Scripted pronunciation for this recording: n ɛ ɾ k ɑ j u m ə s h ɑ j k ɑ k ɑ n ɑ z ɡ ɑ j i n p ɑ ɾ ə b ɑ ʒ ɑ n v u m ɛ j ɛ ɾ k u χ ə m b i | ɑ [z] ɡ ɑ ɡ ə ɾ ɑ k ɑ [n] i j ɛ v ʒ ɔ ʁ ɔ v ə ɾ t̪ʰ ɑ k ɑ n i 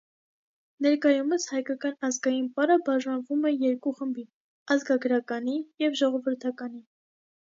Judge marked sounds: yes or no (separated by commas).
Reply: yes, yes